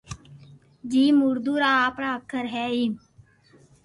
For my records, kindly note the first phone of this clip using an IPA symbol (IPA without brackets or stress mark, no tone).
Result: d͡ʒ